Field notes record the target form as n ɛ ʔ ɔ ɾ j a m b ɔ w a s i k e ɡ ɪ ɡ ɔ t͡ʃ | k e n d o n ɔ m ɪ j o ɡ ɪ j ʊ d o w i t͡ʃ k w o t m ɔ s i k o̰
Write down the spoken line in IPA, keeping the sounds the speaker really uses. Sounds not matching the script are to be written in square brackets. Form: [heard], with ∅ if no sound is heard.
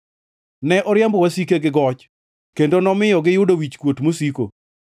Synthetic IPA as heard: n ɛ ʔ ɔ ɾ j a m b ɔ w a s i k e ɡ ɪ ɡ ɔ t͡ʃ | k e n d o n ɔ m ɪ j [ɔ] ɡ ɪ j ʊ d o w i t͡ʃ k w o t m [o] s i k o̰